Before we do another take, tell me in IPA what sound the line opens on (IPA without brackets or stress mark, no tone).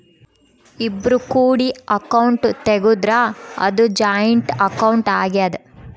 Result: i